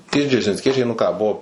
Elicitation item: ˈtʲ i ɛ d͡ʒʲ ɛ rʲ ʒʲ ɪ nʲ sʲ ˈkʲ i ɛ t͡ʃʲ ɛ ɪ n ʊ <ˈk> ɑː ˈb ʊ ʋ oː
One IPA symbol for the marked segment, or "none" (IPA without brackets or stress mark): k